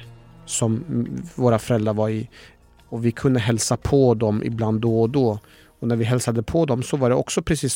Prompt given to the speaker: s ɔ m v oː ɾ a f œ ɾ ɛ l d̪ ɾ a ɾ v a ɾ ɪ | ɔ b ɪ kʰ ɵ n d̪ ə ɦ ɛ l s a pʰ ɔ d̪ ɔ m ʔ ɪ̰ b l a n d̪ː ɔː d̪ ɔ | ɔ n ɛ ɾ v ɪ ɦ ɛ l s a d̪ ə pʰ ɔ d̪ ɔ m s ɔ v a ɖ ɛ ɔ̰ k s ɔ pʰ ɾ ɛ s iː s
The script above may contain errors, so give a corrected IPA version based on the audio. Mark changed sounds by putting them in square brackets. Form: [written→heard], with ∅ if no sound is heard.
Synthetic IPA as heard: s ɔ m v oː ɾ a f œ ɾ ɛ l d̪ ɾ a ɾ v a ɾ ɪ | ɔ [b→v] ɪ kʰ ɵ n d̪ ə ɦ ɛ l s a pʰ ɔ d̪ ɔ m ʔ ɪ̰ b l a n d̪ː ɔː d̪ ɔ | ɔ n [ɛ→æ] ɾ v ɪ ɦ ɛ l s a d̪ ə pʰ ɔ d̪ ɔ m s ɔ v a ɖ ɛ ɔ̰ k s ɔ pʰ ɾ ɛ s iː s